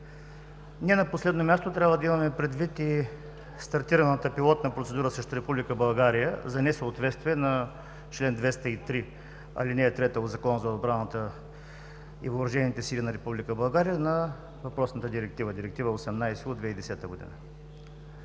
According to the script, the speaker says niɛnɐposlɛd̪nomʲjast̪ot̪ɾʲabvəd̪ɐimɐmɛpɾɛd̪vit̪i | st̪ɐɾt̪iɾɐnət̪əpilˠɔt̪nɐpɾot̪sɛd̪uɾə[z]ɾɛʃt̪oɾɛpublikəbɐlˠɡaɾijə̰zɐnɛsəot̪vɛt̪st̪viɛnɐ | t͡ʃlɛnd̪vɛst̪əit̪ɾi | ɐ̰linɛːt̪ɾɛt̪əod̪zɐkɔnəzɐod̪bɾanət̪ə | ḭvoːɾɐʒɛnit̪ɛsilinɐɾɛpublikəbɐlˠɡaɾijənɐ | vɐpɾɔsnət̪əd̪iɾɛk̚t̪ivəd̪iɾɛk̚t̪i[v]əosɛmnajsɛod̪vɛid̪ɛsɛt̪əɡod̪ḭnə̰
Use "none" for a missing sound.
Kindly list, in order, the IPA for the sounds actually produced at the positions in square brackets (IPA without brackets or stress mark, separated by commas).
s, v